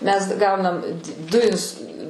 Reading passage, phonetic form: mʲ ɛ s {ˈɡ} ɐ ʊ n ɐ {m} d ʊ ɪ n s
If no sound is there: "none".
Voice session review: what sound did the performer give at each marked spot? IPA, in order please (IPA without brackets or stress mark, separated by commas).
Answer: ɡ, m